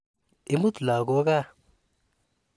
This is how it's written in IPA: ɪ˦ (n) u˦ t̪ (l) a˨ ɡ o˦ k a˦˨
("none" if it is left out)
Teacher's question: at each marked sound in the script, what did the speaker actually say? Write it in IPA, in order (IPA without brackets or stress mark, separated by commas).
m, l